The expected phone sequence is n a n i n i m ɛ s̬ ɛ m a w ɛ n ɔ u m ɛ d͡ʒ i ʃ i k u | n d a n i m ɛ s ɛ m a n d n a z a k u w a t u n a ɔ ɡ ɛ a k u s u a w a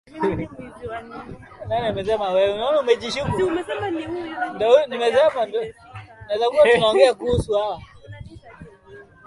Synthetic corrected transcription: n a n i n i m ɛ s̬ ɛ m a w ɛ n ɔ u m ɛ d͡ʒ i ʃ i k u | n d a n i m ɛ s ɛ m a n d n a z a k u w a t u n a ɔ ɡ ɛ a k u s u a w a